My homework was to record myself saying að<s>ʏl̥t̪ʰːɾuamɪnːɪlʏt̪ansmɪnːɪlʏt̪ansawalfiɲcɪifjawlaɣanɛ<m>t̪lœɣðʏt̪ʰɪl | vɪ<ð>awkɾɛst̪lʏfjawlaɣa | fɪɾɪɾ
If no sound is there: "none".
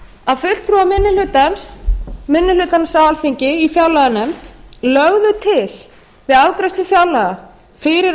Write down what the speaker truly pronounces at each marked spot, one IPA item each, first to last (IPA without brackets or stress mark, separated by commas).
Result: f, m, ð